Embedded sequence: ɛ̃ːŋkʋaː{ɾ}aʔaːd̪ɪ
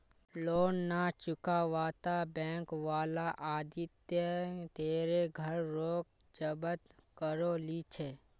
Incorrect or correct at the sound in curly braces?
incorrect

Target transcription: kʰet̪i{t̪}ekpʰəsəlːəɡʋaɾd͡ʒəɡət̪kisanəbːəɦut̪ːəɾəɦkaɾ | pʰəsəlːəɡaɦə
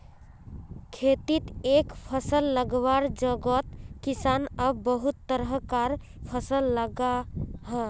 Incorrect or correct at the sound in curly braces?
correct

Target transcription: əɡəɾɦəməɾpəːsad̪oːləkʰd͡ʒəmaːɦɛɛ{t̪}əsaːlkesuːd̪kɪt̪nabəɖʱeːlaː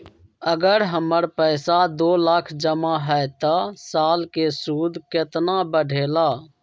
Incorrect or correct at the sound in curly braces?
correct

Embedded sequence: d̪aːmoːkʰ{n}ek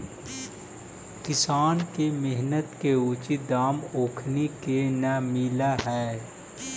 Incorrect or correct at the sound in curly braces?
correct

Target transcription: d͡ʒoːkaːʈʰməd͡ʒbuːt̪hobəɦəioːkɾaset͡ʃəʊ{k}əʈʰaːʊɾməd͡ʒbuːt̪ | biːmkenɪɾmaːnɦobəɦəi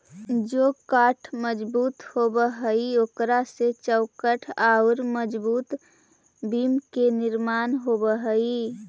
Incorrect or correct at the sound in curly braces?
correct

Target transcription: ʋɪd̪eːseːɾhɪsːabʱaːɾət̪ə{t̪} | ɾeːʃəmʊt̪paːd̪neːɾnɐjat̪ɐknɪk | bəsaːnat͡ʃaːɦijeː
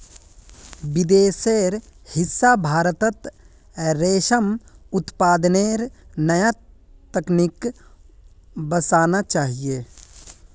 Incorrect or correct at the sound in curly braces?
correct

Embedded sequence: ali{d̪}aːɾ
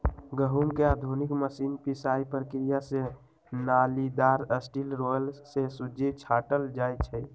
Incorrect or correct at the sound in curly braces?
correct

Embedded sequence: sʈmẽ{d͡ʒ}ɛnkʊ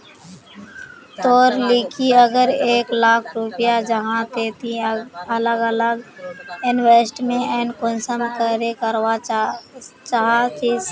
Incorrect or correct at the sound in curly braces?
incorrect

